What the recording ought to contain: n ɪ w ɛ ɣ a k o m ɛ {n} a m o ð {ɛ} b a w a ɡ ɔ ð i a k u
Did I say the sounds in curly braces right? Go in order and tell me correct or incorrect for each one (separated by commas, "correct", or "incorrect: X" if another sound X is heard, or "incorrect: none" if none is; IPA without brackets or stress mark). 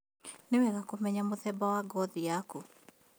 incorrect: ɲ, correct